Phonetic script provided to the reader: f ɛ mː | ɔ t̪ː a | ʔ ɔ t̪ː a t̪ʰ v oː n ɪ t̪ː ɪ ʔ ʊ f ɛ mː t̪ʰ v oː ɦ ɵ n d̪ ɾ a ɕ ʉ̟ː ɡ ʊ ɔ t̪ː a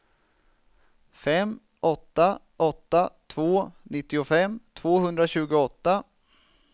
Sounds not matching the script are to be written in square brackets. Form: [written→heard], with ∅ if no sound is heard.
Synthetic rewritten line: f ɛ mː | ɔ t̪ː a | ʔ ɔ t̪ː a t̪ʰ v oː n ɪ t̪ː ɪ [ʔ→∅] ʊ f ɛ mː t̪ʰ v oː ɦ ɵ n d̪ ɾ a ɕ ʉ̟ː ɡ ʊ ɔ t̪ː a